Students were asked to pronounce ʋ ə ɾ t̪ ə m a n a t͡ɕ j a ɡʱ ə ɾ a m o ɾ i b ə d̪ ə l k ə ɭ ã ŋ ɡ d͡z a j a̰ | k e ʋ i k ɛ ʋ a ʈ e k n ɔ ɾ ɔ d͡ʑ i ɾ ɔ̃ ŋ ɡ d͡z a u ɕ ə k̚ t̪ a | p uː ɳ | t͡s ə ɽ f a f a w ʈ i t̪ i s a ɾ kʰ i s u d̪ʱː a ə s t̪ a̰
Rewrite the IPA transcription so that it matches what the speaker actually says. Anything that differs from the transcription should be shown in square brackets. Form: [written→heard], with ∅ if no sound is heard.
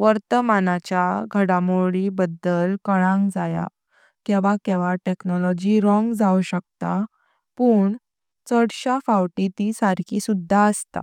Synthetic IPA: ʋ ə ɾ t̪ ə m a n a t͡ɕ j a ɡʱ ə [ɾ→ɽ] a m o [ɾ→ɭ] i b ə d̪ ə l k ə ɭ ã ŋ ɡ d͡z a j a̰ | k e ʋ [i→a] k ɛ ʋ a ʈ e k n ɔ [ɾ→l] ɔ d͡ʑ i ɾ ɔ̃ ŋ ɡ d͡z a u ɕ ə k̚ t̪ a | p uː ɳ | t͡s ə ɽ [f→ɕ] a f a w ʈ i t̪ i s a ɾ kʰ i s u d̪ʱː a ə s t̪ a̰